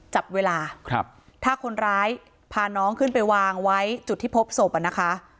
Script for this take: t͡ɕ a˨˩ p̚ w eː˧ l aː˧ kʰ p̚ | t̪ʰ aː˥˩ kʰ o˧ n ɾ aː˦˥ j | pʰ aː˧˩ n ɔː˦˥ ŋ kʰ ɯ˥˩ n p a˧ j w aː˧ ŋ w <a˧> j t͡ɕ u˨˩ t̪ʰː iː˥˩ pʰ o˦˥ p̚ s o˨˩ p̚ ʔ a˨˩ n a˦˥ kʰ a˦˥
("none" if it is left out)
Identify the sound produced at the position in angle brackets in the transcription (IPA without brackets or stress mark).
a˦˥